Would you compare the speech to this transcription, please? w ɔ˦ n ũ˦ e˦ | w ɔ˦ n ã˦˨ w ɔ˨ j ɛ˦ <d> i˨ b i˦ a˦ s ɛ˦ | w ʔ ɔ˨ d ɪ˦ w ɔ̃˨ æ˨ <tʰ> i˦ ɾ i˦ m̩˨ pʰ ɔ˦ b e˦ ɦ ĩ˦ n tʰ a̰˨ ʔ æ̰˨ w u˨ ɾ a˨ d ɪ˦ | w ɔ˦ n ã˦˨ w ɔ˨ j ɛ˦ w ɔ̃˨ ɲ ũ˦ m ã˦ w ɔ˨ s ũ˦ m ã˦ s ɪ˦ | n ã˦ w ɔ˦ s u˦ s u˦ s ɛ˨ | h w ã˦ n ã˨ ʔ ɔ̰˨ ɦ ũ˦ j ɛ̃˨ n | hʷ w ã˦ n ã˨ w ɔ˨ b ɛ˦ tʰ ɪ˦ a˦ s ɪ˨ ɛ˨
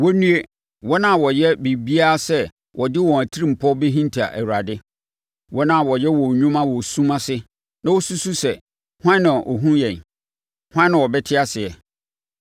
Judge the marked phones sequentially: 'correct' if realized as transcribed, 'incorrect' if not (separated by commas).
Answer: incorrect, correct